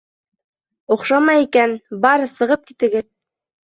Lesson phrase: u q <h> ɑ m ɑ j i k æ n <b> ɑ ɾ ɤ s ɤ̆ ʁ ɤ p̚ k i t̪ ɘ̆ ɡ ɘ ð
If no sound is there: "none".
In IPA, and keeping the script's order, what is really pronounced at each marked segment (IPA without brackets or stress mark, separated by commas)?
ʃ, b